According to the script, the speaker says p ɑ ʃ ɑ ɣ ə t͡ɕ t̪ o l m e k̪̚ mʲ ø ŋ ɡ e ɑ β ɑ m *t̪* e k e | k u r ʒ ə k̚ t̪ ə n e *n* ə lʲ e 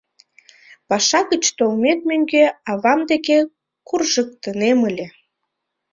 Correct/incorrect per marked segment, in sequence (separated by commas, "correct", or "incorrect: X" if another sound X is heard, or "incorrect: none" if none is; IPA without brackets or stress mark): incorrect: d̪, incorrect: m